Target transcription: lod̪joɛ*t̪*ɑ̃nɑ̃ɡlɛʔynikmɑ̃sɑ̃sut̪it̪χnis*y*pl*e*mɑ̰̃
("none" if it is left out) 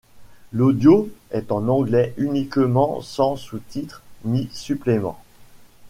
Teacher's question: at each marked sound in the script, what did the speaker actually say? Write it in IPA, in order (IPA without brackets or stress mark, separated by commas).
t̪, y, e